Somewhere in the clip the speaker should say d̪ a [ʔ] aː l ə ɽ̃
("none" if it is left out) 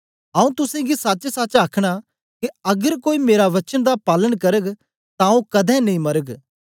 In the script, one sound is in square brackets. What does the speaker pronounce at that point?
p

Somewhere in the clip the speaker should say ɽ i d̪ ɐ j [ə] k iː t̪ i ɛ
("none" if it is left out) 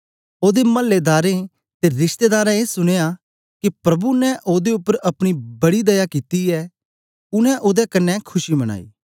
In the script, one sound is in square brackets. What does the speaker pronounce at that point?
a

